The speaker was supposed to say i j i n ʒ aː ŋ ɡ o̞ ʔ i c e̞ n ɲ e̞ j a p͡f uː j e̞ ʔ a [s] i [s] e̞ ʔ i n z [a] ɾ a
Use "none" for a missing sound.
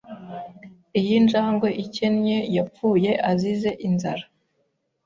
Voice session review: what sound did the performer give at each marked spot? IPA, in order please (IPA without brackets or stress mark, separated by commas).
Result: z, z, a